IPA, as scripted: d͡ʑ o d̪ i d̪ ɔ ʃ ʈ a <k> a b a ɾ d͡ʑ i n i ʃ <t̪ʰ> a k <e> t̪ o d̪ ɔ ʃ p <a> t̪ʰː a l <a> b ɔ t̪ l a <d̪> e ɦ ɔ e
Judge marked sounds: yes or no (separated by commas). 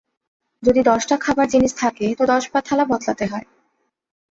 no, yes, yes, yes, yes, no